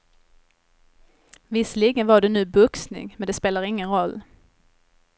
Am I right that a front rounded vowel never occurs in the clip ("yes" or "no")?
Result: yes